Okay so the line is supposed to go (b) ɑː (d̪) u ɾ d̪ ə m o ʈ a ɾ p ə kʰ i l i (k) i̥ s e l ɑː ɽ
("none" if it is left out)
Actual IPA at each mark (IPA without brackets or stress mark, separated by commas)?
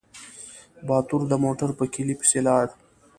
b, t̪, p